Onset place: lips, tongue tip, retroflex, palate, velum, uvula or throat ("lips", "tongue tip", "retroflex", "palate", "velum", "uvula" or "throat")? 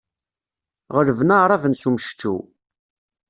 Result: uvula